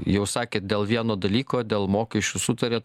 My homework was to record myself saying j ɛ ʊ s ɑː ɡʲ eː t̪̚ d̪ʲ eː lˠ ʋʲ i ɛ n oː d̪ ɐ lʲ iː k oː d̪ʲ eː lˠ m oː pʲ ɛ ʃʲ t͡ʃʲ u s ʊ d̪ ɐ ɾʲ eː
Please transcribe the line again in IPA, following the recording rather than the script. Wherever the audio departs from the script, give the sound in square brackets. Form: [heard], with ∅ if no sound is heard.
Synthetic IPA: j ɛ ʊ s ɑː [kʲ] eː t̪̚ d̪ʲ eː lˠ ʋʲ i ɛ n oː d̪ ɐ lʲ iː k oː d̪ʲ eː lˠ m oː [kʲ] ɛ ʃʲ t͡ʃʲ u s ʊ [t̪] ɐ ɾʲ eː